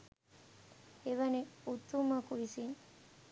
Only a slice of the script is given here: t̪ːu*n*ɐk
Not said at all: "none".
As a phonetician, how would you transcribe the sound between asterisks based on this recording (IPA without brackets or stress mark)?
m